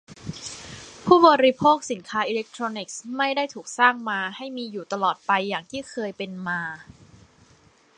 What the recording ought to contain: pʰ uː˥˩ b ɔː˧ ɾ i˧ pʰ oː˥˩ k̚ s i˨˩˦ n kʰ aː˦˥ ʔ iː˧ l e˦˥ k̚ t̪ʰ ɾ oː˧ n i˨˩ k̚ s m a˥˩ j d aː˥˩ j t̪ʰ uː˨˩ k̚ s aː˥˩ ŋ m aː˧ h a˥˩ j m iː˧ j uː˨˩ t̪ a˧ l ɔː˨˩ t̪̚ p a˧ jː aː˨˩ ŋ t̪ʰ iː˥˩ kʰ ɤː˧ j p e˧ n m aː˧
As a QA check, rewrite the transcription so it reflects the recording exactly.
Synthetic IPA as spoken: pʰ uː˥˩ b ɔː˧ ɾ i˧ pʰ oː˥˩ k̚ s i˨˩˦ n kʰ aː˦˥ ʔ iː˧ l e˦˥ k̚ t̪ʰ ɾ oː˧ n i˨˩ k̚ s m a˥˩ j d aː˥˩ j t̪ʰ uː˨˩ k̚ s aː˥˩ ŋ m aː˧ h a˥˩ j m iː˧ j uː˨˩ t̪ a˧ l ɔː˨˩ t̪̚ p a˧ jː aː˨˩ ŋ t̪ʰ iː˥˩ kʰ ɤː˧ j p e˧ n m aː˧